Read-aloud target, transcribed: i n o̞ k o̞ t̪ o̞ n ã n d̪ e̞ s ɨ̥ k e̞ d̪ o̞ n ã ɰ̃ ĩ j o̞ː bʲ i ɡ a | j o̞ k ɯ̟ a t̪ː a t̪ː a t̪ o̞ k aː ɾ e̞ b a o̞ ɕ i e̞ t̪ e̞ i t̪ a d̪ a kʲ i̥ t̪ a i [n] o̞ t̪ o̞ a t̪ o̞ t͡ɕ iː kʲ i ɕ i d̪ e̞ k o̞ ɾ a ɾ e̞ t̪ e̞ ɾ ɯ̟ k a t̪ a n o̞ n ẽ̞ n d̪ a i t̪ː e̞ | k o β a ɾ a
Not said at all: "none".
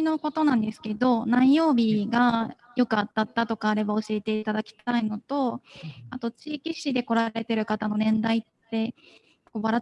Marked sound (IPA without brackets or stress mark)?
n